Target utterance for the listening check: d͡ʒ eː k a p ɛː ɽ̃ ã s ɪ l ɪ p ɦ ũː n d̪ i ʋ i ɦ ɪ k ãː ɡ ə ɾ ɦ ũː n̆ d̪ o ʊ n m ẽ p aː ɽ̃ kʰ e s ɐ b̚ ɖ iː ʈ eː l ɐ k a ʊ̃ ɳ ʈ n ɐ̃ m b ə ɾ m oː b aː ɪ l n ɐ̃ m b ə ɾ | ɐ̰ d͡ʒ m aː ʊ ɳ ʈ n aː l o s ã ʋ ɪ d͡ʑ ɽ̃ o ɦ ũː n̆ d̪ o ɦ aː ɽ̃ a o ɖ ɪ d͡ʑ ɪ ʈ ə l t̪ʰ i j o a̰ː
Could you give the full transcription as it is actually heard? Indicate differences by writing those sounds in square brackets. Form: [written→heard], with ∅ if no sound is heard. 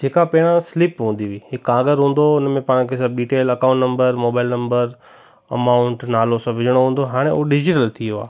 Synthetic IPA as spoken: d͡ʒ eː k a p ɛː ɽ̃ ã s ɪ l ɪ p ɦ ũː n d̪ i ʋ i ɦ ɪ k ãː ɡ ə ɾ ɦ ũː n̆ d̪ o ʊ n m ẽ p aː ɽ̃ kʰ e s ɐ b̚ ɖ iː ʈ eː l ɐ k a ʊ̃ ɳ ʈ n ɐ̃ m b ə ɾ m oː b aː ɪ l n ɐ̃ m b ə ɾ | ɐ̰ [d͡ʒ→∅] m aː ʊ ɳ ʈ n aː l o s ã ʋ ɪ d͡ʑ ɽ̃ o ɦ ũː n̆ d̪ o ɦ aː ɽ̃ [a→e] o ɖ ɪ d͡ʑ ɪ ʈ ə l t̪ʰ i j o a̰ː